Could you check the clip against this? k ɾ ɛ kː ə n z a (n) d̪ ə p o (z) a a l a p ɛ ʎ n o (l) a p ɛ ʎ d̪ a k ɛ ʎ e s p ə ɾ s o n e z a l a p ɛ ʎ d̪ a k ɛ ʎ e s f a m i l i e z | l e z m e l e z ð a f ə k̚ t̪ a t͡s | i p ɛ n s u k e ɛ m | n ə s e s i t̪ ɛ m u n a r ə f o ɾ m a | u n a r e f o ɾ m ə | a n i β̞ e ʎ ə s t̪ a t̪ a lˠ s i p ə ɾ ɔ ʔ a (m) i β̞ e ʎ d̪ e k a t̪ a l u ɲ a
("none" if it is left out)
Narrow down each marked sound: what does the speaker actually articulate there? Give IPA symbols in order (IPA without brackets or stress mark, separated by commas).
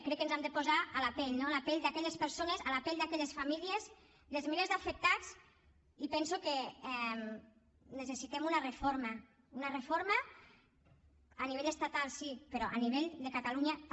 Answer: m, z, l, n